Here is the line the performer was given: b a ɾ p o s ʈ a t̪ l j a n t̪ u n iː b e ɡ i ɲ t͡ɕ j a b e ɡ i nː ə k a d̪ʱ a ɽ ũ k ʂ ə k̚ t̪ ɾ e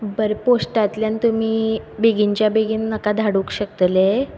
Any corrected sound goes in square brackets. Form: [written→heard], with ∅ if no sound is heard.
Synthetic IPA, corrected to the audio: b [a→ə] ɾ p o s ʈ a t̪ l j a n t̪ u [n→m] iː b e ɡ i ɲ t͡ɕ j a b e ɡ i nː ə k a d̪ʱ a ɽ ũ k [ʂ→ɕ] ə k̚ t̪ [ɾ→l] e